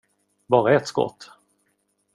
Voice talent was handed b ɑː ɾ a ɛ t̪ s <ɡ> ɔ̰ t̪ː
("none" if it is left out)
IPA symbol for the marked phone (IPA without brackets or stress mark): k